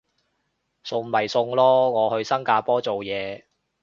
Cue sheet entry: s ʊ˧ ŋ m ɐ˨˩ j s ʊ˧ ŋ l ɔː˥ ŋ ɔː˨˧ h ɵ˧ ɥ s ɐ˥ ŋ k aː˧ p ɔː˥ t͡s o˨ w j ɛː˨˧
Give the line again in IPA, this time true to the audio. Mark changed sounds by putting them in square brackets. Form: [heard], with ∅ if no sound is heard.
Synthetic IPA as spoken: s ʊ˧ ŋ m ɐ˨˩ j s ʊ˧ ŋ l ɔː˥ ŋ ɔː˨˧ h ɵ˧ ɥ s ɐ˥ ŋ k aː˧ p ɔː˥ t͡s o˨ w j ɛː˨˧